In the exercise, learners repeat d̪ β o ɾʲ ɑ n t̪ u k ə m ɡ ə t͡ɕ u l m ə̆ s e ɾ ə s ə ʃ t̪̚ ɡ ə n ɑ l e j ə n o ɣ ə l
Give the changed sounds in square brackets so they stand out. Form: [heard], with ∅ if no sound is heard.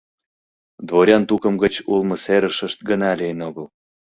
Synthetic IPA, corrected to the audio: d̪ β o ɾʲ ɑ n t̪ u k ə m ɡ ə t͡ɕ u l m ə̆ s e ɾ ə [ʃ] ə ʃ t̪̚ ɡ ə n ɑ l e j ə n o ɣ ə l

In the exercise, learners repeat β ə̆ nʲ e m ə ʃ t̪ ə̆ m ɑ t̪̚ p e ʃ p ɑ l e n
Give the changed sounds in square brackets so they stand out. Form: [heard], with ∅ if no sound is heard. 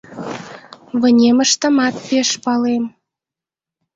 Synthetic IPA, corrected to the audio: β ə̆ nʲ e m ə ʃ t̪ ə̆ m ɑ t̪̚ p e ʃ p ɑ l e [m]

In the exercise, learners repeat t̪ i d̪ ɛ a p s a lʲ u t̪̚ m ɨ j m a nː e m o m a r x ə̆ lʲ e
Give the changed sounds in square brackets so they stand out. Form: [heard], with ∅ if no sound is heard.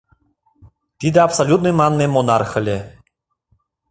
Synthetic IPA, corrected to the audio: t̪ i d̪ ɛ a p s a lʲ u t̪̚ [n] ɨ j m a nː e m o [n] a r x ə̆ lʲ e

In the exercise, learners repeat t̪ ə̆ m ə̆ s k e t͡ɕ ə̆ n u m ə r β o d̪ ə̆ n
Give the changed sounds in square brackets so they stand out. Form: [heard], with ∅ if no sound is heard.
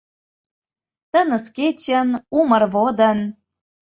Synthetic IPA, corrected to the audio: t̪ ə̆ [n] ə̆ s k e t͡ɕ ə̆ n u m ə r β o d̪ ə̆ n

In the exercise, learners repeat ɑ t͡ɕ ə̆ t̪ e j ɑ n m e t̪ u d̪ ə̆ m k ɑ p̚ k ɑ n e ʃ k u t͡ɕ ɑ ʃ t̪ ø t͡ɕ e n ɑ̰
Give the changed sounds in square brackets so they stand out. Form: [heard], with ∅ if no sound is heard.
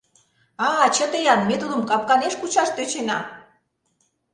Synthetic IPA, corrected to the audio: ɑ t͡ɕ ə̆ t̪ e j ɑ n m e t̪ u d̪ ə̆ m k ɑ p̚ k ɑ n e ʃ k u t͡ɕ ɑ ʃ t̪ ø t͡ɕ e n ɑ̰

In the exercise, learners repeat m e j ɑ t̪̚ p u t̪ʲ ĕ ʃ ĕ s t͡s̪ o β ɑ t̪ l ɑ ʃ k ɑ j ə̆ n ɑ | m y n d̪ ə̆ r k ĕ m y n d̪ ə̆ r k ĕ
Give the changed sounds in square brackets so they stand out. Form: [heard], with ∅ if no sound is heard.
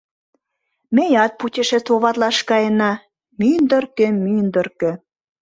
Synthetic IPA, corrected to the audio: m e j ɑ t̪̚ p u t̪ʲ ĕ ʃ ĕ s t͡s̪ o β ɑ t̪ l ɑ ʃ k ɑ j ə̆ n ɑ | m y n d̪ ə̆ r k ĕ m y n d̪ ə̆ r k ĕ

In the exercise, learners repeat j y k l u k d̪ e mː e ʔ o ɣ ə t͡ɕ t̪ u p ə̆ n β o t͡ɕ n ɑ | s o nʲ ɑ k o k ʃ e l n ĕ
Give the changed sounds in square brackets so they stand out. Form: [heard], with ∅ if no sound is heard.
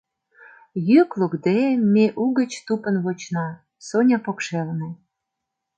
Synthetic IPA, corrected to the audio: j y k l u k d̪ e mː e ʔ [u] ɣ ə t͡ɕ t̪ u p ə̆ n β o t͡ɕ n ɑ | s o nʲ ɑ [p] o k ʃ e l n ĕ

